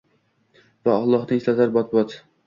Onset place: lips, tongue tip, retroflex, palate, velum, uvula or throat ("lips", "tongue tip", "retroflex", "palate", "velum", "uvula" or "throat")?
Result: lips